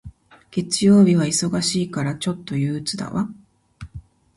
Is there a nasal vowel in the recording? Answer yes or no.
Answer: no